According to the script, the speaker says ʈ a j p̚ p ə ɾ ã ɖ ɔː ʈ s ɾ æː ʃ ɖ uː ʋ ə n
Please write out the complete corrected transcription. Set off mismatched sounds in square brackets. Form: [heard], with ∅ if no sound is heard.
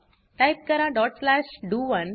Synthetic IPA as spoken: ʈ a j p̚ [k] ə ɾ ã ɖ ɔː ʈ s [l] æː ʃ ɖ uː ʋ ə n